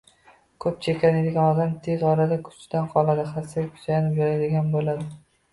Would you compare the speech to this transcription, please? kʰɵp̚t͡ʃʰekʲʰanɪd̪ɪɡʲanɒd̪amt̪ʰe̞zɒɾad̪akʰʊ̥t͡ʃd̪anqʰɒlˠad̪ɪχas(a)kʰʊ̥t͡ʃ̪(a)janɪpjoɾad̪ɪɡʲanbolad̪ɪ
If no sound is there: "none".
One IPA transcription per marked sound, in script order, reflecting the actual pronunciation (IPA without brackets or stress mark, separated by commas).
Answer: a, a